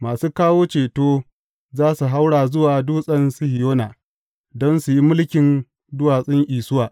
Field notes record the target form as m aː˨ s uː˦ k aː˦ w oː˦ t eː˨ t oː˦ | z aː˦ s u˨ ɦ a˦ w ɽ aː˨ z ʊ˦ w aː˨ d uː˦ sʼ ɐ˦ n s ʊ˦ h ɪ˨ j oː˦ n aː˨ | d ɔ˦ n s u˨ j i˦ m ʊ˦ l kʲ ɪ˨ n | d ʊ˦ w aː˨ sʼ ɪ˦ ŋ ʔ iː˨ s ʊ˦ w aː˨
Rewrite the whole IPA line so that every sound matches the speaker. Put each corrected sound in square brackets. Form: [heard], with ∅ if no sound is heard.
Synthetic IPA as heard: m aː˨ s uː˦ k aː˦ w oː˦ [t͡ʃ] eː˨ t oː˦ | z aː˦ s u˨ ɦ a˦ w ɽ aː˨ z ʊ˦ w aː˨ d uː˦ sʼ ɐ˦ n s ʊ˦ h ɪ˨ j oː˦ n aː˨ | d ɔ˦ n s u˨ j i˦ m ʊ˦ l kʲ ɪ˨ n | d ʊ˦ w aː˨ sʼ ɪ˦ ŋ ʔ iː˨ s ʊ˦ w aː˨